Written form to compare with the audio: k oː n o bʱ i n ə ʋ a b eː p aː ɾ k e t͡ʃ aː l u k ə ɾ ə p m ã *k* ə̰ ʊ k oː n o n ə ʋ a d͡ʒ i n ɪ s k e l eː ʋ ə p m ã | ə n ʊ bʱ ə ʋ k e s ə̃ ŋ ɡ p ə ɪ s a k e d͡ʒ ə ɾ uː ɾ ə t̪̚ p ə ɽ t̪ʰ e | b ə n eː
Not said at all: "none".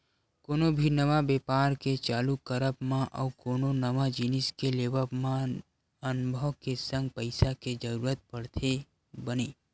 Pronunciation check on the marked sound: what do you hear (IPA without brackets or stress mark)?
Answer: ʔ